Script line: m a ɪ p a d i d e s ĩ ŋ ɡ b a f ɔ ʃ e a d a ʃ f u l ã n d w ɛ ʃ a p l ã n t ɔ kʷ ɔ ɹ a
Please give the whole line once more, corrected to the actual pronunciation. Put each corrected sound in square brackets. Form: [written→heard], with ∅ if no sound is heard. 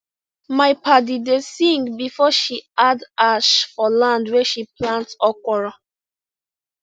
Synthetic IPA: m a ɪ p a d i d e s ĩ ŋ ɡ b [a→i] f ɔ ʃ [e→i] a d a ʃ f [u→ɔ] l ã n d w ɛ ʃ [a→i] p l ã n t ɔ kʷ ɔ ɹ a

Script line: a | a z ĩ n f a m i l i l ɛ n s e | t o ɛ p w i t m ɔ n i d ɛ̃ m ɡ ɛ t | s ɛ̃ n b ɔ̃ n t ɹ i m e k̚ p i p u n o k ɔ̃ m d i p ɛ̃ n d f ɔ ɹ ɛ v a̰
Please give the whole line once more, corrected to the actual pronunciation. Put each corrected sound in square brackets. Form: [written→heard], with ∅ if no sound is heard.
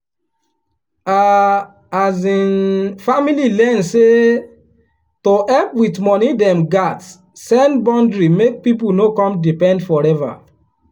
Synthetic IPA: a | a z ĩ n f a m i l i l ɛ n s e | t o ɛ p w i t m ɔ n i d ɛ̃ m ɡ [ɛ→a] t | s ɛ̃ n b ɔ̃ n [t→d] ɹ i m e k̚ p i p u n o k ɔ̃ m d i p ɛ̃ n d f ɔ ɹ ɛ v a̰

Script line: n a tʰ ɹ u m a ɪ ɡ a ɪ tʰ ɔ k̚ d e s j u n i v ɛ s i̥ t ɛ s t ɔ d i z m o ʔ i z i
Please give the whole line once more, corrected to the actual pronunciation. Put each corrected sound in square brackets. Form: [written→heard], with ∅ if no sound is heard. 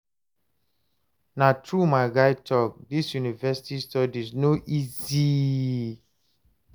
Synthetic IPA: n a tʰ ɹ u m a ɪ ɡ a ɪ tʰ ɔ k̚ d [e→i] s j u n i v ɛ s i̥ t [ɛ→i] s t ɔ d i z [m→n] o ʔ i z i

